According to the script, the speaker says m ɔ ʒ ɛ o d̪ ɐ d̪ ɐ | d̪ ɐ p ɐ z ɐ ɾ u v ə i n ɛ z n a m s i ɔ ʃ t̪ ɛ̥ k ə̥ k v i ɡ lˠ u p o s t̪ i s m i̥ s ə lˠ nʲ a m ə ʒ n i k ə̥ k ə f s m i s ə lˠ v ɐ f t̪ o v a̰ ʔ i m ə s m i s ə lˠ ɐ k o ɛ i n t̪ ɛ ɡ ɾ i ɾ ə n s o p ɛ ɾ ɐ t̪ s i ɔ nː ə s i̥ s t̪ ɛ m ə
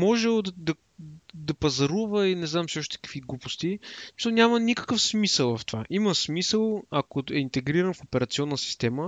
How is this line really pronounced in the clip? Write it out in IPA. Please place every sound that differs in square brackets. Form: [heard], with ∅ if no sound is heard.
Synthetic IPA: m ɔ ʒ ɛ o d̪ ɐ d̪ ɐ | d̪ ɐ p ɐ z ɐ ɾ u v ə i n ɛ z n a m s i ɔ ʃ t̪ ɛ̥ k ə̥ k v i ɡ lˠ u p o s t̪ i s m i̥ s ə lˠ nʲ a m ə [∅] n i k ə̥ k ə f s m i s ə lˠ v ɐ f t̪ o v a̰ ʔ i m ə s m i s ə lˠ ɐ k o ɛ i n t̪ ɛ ɡ ɾ i ɾ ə n [f] o p ɛ ɾ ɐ t̪ s i ɔ nː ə s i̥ s t̪ ɛ m ə